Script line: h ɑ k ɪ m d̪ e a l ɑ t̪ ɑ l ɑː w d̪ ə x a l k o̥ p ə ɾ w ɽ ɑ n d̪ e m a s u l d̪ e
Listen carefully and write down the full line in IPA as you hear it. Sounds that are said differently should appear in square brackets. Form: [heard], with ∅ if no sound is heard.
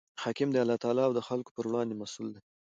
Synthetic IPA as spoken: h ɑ k ɪ m d̪ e a l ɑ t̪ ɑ l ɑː w d̪ ə x a l k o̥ p ə ɾ w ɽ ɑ n d̪ e m a s u l d̪ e